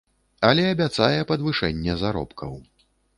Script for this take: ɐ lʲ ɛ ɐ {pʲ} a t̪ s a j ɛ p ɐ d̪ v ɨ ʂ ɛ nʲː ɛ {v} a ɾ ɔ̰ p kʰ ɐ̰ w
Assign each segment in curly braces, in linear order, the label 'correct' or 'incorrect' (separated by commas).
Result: incorrect, incorrect